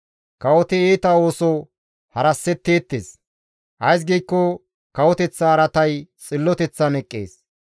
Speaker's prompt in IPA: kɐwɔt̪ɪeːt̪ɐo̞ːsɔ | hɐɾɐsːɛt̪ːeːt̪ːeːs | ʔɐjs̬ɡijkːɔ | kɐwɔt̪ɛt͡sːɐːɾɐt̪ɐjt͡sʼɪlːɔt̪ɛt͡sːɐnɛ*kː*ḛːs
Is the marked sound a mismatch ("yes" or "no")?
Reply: yes